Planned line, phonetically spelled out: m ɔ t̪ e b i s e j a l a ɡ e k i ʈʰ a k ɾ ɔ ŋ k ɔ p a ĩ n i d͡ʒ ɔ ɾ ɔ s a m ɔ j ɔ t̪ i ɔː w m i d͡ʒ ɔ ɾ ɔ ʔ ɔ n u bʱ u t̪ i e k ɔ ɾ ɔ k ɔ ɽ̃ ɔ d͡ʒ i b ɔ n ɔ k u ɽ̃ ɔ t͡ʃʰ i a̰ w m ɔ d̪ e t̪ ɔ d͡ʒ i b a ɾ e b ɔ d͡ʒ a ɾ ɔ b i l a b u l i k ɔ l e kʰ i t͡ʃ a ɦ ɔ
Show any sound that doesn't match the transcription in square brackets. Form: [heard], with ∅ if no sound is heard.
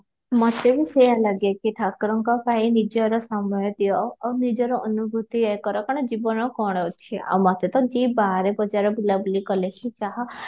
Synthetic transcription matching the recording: m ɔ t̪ e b i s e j a l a ɡ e k i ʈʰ a k ɾ ɔ ŋ k ɔ p a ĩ n i d͡ʒ ɔ ɾ ɔ s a m ɔ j ɔ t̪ i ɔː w [n] i d͡ʒ ɔ ɾ ɔ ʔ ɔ n u bʱ u t̪ i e k ɔ ɾ ɔ k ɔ ɽ̃ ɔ d͡ʒ i b ɔ n ɔ k [ɔ] ɽ̃ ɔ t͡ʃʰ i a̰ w m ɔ [t̪] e t̪ ɔ d͡ʒ i b a ɾ e b ɔ d͡ʒ a ɾ ɔ b i l a b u l i k ɔ l e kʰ i t͡ʃ a ɦ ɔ